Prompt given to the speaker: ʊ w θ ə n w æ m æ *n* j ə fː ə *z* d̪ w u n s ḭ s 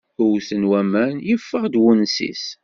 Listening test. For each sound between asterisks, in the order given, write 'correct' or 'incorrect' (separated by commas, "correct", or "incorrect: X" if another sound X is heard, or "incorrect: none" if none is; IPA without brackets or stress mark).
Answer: correct, incorrect: ʁ